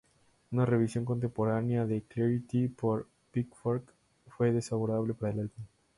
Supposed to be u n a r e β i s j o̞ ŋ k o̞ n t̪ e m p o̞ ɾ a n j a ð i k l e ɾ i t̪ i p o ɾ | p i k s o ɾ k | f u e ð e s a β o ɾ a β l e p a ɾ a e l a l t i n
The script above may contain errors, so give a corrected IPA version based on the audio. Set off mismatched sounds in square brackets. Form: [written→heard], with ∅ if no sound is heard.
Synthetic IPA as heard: u n a r e β i s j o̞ ŋ k o̞ n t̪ e m p o̞ ɾ a n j a ð [i→e] k l e ɾ i t̪ i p o ɾ | p i k [s→f] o ɾ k | f [u→w] e ð e s a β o ɾ a β l e p a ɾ a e l a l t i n